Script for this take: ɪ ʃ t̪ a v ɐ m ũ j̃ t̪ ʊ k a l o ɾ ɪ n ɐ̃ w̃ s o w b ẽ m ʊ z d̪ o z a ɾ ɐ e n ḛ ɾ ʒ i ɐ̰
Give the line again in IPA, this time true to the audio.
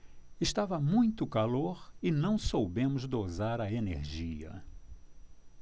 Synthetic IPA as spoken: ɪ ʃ t̪ a v ɐ m ũ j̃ t̪ ʊ k a l o ɾ ɪ n ɐ̃ w̃ s o w b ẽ m ʊ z d̪ o z a ɾ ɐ e n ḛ ɾ ʒ i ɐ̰